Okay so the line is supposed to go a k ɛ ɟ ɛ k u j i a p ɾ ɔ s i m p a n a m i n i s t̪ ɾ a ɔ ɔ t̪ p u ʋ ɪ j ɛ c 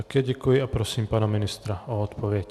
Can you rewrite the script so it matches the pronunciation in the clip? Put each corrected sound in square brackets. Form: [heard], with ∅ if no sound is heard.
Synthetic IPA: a k ɛ ɟ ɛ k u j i a p ɾ ɔ s [iː] m p a n a m i n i s t̪ ɾ a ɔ ɔ t̪ p [ɔ] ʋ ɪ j ɛ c

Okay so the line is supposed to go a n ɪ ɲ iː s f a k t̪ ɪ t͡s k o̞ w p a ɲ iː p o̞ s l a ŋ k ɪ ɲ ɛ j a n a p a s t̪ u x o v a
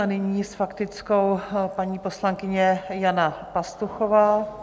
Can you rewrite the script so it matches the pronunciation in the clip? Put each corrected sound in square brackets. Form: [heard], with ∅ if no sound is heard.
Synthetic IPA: a n ɪ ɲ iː s f a k t̪ ɪ t͡s k o̞ w p a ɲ iː p o̞ s l a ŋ k ɪ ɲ ɛ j a n a p a s t̪ u x o v a

